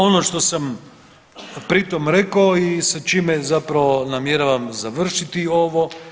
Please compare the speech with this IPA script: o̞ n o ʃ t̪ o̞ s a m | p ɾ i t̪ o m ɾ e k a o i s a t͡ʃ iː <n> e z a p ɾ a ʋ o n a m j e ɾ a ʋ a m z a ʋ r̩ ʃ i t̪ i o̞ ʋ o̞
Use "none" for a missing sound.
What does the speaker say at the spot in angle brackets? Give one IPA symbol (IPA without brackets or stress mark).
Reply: m